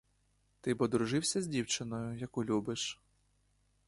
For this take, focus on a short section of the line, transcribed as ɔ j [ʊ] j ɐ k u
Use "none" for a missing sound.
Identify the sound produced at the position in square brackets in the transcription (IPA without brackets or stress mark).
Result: ʊ